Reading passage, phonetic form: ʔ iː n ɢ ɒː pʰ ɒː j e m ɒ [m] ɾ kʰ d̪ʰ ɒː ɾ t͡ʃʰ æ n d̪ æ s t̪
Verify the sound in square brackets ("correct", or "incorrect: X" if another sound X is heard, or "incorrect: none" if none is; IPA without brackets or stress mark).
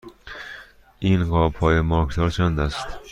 incorrect: none